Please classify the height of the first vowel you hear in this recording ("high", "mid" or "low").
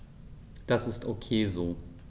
low